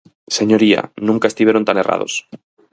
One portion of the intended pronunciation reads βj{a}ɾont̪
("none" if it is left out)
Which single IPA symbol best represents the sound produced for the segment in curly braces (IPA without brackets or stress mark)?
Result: e